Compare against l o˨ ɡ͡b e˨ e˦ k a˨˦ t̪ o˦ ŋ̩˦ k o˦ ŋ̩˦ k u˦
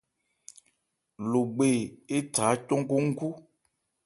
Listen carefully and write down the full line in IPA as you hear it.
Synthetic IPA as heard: l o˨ ɡ͡b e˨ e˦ t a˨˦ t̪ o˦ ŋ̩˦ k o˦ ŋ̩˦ k u˦